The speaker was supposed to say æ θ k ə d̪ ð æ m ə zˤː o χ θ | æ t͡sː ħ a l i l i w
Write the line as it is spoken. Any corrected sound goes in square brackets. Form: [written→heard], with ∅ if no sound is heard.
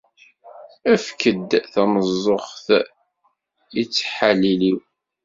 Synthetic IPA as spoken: æ [θ→f] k ə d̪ [ð→θ] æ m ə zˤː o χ θ | [æ→i] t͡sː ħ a l i l i w